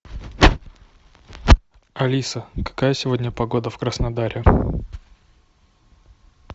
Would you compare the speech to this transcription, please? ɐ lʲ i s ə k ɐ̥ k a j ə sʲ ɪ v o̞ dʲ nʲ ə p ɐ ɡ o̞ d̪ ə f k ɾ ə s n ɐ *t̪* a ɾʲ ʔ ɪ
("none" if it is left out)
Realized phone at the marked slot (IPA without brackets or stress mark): d̪